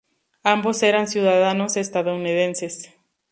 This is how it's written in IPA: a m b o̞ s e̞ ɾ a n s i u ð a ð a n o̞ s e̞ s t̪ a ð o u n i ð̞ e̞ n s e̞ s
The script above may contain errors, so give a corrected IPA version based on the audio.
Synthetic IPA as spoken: a m b o̞ s e̞ ɾ a n s j u ð a ð a n o̞ s e̞ s t̪ a ð o u n i ð̞ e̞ n s e̞ s